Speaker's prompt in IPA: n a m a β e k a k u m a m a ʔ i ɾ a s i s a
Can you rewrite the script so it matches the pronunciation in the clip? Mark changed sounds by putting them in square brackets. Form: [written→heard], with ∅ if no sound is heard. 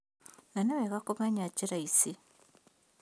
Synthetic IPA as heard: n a [m→n] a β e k a k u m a [m→ɲ] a [ʔ→c] i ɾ a [s→∅] i s [a→i]